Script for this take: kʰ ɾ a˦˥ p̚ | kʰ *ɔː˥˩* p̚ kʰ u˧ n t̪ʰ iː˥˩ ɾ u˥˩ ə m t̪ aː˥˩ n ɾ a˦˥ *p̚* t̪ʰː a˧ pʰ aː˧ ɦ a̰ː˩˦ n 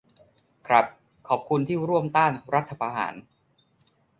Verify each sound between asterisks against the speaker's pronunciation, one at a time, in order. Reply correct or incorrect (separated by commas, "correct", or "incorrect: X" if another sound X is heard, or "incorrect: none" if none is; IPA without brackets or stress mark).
incorrect: ɔː˩, incorrect: none